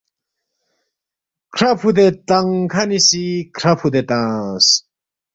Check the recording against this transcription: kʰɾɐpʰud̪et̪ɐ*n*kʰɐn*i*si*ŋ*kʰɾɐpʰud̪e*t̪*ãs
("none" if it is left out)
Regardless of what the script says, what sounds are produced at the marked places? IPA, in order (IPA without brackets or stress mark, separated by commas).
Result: ŋ, i, none, t̪